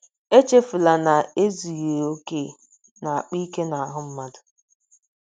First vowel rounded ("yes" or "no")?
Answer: no